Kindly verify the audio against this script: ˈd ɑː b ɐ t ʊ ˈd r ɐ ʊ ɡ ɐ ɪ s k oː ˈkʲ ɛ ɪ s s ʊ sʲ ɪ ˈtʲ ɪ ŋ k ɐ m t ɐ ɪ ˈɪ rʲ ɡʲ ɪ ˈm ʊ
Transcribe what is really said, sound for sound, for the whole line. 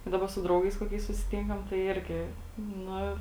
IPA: ˈd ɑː b ɐ s ʊ ˈd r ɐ ʊ ɡ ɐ ɪ s k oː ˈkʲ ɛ ɪ s s ʊ sʲ ɪ ˈtʲ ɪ ŋ k ɐ m t ɐ ɪ ˈɪ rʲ ɡʲ ɪ ˈn ʊ